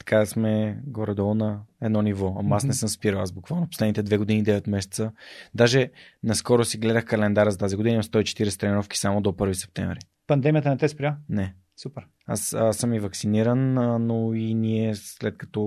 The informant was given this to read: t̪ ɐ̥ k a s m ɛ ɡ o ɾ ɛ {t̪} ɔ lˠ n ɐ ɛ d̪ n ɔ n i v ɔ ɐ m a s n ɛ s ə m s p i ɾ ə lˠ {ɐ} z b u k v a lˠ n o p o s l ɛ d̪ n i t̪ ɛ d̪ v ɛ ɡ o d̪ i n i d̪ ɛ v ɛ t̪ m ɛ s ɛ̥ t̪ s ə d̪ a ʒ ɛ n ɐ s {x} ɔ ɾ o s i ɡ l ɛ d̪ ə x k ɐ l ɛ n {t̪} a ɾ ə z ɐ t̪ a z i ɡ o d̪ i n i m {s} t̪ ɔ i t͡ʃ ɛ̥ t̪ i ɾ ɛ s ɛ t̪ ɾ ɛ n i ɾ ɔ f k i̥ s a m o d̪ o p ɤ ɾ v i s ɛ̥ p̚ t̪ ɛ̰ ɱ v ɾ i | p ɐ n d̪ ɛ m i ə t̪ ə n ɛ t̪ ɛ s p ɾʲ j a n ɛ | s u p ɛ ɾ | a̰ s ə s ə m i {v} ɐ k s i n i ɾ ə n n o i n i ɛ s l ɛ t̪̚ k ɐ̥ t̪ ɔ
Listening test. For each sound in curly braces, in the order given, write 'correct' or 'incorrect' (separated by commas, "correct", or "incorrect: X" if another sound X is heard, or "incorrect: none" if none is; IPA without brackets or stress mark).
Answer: incorrect: d̪, incorrect: a, incorrect: k, incorrect: d̪, correct, correct